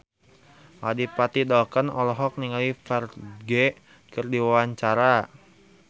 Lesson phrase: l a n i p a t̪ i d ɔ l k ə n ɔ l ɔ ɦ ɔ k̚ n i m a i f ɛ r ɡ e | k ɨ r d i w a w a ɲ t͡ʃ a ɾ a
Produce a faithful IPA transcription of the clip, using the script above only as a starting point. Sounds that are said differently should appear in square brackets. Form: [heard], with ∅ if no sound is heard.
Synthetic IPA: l a [d] i p a t̪ i d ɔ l k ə n ɔ l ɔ ɦ ɔ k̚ n i [ŋ] a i f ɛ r ɡ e | k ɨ r d i w a w a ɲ t͡ʃ a ɾ a

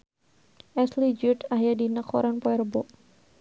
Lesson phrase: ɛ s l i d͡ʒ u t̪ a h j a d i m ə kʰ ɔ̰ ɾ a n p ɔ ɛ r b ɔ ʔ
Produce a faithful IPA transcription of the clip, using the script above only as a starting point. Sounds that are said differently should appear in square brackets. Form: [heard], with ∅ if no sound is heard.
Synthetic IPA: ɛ s l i d͡ʒ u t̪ a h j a d i [n] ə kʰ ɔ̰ ɾ a n p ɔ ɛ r b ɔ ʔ

